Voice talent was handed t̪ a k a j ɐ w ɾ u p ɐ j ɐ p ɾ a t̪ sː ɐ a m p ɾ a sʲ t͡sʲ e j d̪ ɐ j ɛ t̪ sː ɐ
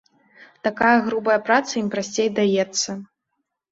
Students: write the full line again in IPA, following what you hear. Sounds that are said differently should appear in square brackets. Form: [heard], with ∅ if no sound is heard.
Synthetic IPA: t̪ a k a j ɐ [ɣ] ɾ u [b] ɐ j ɐ p ɾ a t̪ [s] ɐ [i] m p ɾ a sʲ t͡sʲ e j d̪ [a] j ɛ t̪ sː ɐ